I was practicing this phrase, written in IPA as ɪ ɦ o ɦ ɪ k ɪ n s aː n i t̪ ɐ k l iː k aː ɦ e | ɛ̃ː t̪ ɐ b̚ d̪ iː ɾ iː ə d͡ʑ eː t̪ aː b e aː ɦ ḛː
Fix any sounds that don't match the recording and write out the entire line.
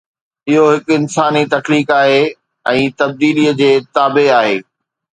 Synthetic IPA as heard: ɪ ɦ o ɦ ɪ k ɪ n s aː n i t̪ ɐ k l iː k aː ɦ e | ɛ̃ː t̪ ɐ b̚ d̪ iː l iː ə d͡ʑ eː t̪ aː b e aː ɦ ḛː